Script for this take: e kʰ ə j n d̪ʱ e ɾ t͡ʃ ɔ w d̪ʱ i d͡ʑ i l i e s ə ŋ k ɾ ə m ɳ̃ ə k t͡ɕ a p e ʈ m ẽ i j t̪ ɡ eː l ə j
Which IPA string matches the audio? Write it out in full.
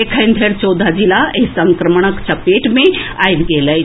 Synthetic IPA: e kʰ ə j n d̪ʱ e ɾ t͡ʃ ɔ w d̪ʱ a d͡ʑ i l a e s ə ŋ k ɾ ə m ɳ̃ ə k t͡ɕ a p e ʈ m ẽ a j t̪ ɡ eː l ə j